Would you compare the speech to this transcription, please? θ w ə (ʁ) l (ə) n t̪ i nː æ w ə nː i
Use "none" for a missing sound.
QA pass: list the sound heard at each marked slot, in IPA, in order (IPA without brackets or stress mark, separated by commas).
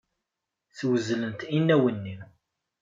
z, ə